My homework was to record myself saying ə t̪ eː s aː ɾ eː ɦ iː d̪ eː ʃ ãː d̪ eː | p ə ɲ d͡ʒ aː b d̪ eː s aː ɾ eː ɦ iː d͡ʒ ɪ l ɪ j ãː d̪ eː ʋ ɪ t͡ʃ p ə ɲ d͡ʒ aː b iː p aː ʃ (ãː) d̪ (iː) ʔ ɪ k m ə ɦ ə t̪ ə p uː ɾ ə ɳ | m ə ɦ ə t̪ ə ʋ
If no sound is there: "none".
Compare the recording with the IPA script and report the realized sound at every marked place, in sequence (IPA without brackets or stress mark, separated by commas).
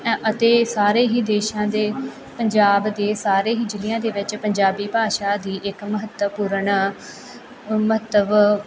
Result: aː, iː